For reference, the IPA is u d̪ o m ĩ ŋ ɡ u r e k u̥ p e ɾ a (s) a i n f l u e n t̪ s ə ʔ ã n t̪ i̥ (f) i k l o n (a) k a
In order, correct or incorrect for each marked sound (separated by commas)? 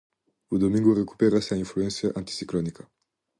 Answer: correct, incorrect, incorrect